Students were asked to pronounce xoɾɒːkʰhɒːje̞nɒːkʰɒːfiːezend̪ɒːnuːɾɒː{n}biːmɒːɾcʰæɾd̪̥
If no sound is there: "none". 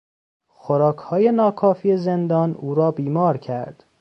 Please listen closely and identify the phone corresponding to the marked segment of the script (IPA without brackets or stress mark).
none